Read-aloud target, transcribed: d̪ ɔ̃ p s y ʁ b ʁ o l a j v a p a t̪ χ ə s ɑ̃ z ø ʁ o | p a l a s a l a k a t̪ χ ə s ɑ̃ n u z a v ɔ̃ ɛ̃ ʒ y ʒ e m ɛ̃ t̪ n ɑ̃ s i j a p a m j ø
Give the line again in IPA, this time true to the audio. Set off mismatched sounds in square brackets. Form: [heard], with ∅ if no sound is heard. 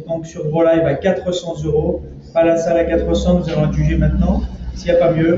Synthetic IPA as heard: d̪ ɔ̃ [k] s y ʁ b ʁ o l a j v a [k] a t̪ χ ə s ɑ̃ z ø ʁ o | p a l a s a l a k a t̪ χ ə s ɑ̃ n u z a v ɔ̃ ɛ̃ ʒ y ʒ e m ɛ̃ t̪ n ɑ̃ s i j a p a m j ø

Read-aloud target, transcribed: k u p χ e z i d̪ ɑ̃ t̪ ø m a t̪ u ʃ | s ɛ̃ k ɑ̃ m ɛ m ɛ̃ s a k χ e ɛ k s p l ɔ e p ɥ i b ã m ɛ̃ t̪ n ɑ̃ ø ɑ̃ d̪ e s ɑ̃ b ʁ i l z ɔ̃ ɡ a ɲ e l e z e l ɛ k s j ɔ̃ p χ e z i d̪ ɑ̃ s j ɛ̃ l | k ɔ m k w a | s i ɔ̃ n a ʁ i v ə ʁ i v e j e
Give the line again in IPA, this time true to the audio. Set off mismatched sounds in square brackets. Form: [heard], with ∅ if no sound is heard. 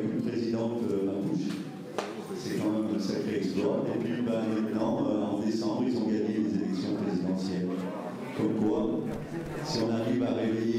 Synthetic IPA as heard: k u p χ e z i d̪ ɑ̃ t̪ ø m a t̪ u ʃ | s [ɛ] k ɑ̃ m ɛ m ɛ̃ s a k χ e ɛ k s p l ɔ e p ɥ i b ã m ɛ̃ t̪ n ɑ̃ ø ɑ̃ d̪ e s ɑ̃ b ʁ i l z ɔ̃ ɡ a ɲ e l e z e l ɛ k s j ɔ̃ p χ e z i d̪ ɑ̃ s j [ɛ] l | k ɔ m k w a | s i ɔ̃ n a ʁ i v [a] ʁ [e] v e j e

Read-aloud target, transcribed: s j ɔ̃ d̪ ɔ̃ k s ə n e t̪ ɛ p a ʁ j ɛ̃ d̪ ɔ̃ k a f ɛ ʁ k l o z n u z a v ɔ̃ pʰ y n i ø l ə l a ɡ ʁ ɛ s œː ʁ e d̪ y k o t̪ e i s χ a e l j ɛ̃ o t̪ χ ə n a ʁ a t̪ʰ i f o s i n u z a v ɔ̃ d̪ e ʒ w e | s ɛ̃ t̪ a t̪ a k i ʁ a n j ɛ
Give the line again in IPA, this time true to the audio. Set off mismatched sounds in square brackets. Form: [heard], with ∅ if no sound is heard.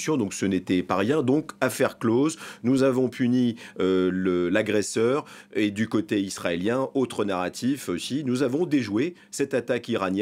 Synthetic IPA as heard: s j ɔ̃ d̪ ɔ̃ k s ə n e t̪ ɛ p a ʁ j ɛ̃ d̪ ɔ̃ k a f ɛ ʁ k l o z n u z a v ɔ̃ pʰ y n i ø l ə l a ɡ ʁ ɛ s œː ʁ e d̪ y k o t̪ e i s χ a e l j ɛ̃ o t̪ χ ə n a ʁ a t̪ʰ i f o s i n u z a v ɔ̃ d̪ e ʒ w e | s [ɛ] t̪ a t̪ a k i ʁ a n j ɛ

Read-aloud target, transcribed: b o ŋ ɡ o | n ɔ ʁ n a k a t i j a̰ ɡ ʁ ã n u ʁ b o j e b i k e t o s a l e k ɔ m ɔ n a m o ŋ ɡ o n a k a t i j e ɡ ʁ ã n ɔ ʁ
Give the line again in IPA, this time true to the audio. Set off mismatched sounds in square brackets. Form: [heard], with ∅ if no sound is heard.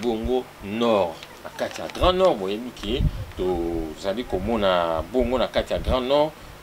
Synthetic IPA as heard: b o ŋ ɡ o | n ɔ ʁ n a k a t i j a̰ ɡ ʁ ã n [ɔ] ʁ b o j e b i k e t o [z] a l [i] k [o] m ɔ n a [b] o ŋ ɡ o n a k a t i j [a] ɡ ʁ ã n ɔ ʁ

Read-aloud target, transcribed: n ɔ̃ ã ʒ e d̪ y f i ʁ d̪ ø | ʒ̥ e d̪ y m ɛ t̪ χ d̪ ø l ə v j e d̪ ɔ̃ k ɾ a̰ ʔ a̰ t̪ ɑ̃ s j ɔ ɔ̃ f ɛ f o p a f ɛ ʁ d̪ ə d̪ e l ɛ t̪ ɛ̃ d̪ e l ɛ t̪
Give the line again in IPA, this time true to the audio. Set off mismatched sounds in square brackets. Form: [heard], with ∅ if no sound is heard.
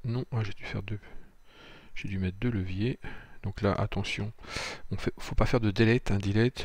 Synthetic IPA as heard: n ɔ̃ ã ʒ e d̪ y f [ɛ] ʁ d̪ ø | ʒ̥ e d̪ y m ɛ t̪ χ d̪ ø l ə v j e d̪ ɔ̃ k [l] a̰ ʔ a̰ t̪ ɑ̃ s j [ɔ̃] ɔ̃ f ɛ f o p a f ɛ ʁ d̪ ə d̪ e l ɛ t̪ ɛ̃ d̪ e l ɛ t̪

